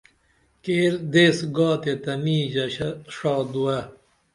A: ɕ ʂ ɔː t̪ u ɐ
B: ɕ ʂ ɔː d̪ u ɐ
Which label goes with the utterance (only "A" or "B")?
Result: B